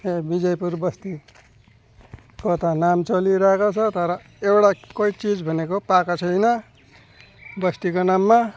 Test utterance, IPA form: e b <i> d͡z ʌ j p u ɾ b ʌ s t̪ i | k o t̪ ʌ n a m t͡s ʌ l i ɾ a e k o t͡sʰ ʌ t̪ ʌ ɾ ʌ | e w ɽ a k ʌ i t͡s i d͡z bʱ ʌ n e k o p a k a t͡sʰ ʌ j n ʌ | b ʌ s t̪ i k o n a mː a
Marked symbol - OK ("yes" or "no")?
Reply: yes